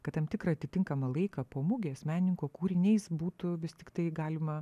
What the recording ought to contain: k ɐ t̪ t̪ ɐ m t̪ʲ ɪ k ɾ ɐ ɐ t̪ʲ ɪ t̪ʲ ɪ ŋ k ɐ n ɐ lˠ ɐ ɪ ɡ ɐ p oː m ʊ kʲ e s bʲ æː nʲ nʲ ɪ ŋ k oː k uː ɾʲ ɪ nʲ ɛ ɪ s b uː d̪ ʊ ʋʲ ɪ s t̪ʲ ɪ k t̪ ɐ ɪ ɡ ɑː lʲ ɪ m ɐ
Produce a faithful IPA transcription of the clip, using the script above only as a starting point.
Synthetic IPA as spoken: k ɐ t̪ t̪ ɐ m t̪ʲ ɪ k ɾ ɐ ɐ t̪ʲ ɪ t̪ʲ ɪ ŋ k ɐ m ɐ lˠ ɐ ɪ k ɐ p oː m ʊ ɡʲ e s mʲ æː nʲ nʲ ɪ ŋ k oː k uː ɾʲ ɪ nʲ ɛ ɪ s b uː t̪ ʊ ʋʲ ɪ s t̪ʲ ɪ k t̪ ɐ ɪ ɡ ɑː lʲ ɪ m ɐ